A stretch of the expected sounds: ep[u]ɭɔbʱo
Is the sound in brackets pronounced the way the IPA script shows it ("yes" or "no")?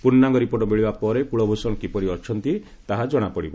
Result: yes